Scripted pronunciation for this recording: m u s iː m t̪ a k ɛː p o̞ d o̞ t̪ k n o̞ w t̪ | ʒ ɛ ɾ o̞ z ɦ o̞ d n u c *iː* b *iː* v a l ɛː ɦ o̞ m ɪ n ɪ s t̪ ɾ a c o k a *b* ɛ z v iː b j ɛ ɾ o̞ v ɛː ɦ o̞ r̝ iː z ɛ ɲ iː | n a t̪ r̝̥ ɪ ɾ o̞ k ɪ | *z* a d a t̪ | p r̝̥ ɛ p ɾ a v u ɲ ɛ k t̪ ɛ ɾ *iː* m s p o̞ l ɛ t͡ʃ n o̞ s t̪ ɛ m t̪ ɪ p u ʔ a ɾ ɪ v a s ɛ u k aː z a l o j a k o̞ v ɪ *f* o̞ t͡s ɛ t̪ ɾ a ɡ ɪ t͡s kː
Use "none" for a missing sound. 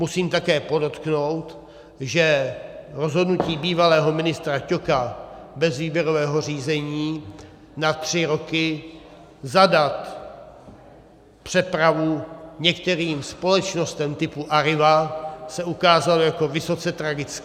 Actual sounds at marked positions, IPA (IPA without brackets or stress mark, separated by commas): iː, iː, b, z, iː, s